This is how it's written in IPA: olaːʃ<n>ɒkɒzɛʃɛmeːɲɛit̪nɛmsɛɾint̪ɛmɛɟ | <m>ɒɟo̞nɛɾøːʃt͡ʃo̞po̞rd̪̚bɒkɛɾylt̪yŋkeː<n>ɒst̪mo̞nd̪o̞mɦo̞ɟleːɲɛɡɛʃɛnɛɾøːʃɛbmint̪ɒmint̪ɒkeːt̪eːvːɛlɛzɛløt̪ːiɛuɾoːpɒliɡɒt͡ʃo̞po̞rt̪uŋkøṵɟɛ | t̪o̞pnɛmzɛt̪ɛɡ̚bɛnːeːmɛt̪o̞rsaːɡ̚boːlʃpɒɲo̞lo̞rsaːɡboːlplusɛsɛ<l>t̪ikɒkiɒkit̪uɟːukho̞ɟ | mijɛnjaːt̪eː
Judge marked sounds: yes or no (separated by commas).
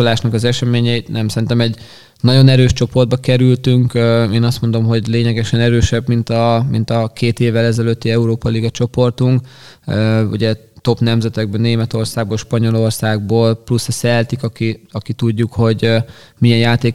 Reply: yes, no, yes, yes